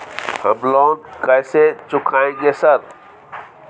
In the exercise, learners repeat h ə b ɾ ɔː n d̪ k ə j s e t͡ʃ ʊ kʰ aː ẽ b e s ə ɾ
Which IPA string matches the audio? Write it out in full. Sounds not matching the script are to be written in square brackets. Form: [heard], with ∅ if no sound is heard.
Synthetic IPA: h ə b [l] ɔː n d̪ k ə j s e t͡ʃ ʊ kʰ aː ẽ [ɡ] e s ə ɾ